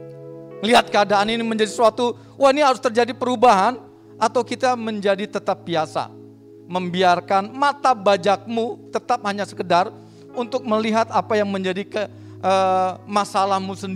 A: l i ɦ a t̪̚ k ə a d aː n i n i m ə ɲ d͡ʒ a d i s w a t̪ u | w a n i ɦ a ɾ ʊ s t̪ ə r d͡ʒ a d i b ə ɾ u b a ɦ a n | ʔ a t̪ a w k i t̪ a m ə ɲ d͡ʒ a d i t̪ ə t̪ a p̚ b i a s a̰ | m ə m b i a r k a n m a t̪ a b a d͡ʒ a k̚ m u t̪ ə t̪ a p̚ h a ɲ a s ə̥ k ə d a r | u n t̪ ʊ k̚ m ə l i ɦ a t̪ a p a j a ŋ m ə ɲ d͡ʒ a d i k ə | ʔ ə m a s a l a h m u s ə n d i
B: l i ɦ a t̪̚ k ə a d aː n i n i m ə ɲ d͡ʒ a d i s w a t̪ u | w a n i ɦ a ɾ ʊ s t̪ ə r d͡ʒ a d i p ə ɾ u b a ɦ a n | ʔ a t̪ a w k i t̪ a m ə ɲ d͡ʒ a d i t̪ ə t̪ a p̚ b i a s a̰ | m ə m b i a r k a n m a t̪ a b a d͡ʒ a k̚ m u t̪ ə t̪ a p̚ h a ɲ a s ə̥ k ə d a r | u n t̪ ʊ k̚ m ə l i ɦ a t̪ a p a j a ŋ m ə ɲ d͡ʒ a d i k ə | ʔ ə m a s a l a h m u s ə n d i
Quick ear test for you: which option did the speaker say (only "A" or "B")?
B